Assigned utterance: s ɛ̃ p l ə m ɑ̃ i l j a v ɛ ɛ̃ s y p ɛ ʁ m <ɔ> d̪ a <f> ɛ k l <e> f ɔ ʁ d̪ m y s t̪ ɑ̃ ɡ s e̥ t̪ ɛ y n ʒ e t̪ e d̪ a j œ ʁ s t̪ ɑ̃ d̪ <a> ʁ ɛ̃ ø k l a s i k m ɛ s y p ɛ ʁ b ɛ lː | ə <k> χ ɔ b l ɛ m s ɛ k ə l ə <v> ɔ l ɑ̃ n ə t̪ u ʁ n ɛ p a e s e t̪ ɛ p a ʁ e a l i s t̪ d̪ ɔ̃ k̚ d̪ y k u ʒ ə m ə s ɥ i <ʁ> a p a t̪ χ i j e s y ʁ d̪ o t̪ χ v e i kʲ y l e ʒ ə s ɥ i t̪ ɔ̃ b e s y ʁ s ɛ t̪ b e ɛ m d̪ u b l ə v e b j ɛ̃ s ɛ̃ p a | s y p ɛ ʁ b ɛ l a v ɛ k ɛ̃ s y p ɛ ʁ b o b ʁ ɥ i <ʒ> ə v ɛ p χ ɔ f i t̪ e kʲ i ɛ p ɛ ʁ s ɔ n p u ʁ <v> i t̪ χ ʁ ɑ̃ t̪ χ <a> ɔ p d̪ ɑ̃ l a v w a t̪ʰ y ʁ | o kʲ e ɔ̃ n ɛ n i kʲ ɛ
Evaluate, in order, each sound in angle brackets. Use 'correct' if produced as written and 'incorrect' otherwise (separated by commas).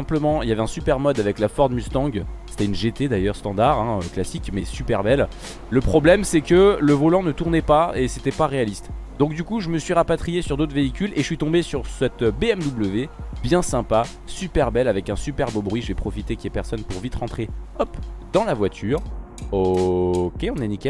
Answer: correct, incorrect, incorrect, correct, incorrect, correct, correct, correct, correct, incorrect